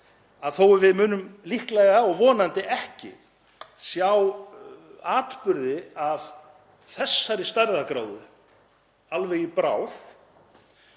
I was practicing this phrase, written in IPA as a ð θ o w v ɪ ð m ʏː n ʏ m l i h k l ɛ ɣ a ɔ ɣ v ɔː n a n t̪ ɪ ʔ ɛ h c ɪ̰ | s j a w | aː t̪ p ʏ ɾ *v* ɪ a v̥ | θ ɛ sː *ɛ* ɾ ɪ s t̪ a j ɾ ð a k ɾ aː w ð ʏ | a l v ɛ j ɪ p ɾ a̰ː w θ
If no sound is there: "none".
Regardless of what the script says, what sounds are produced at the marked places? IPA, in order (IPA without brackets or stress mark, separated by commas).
ð, a